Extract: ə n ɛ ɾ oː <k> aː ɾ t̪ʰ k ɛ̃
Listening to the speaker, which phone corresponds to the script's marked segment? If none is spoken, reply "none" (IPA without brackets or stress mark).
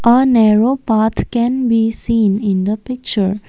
p